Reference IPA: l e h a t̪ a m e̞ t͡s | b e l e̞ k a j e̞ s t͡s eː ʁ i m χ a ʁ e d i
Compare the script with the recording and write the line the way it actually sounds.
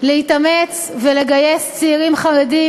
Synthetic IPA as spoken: l e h i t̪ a m e̞ t͡s | v e l e̞ ɡ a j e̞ s t͡s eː ʁ i m χ a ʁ e d i